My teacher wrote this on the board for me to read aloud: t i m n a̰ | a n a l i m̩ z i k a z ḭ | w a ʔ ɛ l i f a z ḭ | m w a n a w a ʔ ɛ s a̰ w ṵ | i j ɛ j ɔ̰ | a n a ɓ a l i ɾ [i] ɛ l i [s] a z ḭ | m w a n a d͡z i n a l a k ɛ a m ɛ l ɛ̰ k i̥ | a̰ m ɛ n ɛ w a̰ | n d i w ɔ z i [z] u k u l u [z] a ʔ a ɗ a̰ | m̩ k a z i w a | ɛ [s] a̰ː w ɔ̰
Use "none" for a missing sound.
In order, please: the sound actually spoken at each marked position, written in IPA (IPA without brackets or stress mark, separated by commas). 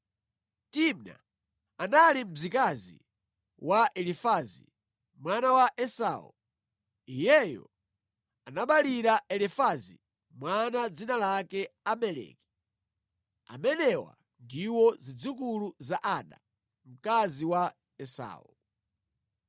a, f, d͡z, z, s